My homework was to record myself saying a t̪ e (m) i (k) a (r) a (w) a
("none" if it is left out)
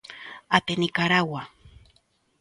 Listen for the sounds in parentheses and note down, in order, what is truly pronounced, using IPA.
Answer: n, k, ɾ, w

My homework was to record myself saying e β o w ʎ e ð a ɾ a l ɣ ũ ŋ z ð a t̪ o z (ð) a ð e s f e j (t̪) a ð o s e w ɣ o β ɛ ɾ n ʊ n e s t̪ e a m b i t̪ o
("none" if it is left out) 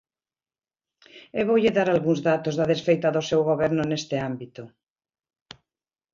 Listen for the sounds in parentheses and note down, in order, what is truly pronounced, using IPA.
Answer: ð, t̪

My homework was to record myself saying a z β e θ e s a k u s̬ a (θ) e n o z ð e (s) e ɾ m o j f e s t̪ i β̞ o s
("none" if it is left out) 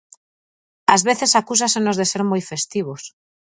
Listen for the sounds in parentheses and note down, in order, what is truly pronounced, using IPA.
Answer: s, s

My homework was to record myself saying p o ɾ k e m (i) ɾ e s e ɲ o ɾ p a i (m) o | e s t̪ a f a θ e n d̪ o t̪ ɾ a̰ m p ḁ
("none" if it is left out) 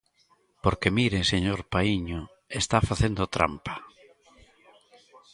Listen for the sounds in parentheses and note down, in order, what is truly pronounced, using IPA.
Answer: i, ɲ

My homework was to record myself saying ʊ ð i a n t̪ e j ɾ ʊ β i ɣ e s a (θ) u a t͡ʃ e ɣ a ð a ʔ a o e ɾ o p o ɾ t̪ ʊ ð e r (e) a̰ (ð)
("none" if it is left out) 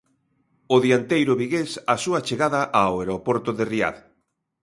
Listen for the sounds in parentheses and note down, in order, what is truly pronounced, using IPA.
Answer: s, i, ð

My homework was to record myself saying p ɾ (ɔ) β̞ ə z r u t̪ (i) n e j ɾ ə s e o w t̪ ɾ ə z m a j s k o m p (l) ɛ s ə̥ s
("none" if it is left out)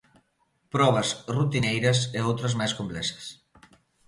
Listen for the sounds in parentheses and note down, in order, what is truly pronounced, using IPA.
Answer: ɔ, i, l

